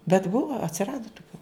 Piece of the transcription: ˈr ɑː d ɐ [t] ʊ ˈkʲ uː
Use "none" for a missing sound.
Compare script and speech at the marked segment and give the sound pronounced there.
t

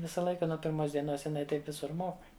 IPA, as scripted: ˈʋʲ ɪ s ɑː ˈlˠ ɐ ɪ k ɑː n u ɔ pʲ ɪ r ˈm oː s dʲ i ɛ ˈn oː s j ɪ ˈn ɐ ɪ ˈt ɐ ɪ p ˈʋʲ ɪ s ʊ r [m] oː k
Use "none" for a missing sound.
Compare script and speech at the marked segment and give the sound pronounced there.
m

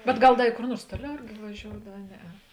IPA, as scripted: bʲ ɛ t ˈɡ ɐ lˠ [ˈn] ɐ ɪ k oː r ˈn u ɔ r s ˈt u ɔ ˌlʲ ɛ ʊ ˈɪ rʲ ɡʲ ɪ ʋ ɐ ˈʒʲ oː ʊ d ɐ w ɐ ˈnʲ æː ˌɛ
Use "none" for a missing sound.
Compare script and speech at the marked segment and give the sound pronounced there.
d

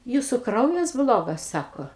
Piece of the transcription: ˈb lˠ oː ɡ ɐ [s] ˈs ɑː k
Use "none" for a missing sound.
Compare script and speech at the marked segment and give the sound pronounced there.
s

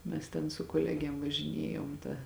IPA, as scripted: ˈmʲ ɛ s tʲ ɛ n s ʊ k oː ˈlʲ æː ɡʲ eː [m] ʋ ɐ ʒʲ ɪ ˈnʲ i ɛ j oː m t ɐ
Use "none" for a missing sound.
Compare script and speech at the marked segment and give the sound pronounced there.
m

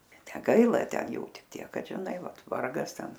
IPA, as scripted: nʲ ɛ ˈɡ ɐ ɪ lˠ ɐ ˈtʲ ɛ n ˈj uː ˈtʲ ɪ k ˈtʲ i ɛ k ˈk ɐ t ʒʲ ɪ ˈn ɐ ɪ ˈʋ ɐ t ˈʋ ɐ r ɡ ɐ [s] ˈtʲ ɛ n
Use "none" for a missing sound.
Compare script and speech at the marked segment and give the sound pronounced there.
s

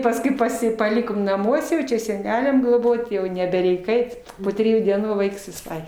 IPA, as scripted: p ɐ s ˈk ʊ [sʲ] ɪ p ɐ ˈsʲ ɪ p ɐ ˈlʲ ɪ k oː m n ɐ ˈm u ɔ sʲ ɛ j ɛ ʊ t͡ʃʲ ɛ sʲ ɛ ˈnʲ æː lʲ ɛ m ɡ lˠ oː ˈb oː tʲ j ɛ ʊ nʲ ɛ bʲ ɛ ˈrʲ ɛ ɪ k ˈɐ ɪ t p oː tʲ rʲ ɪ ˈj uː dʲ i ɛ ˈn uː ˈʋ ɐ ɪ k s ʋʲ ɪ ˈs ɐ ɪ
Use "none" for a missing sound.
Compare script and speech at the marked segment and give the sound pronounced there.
none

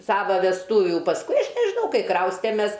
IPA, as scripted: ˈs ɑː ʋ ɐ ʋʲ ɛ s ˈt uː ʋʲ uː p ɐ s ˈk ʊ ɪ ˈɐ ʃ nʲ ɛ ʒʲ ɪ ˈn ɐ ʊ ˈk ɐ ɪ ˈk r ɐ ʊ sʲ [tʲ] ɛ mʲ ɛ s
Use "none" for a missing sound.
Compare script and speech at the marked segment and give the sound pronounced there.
tʲ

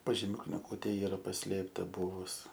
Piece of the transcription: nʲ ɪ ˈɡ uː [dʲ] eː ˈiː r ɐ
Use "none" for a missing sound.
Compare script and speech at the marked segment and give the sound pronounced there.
tʲ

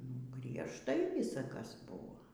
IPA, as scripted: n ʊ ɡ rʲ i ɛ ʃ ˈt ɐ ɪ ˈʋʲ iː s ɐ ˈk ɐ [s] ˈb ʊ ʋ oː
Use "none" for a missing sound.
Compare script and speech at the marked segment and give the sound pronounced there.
s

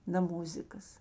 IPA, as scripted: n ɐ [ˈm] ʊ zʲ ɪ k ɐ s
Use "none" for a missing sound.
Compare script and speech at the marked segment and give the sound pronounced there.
m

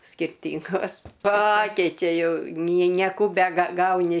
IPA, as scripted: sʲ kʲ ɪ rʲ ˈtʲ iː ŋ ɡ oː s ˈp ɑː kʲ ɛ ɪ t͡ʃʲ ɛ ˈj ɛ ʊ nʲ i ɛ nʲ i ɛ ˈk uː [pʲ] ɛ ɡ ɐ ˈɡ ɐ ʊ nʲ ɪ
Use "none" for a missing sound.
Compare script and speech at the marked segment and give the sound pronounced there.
bʲ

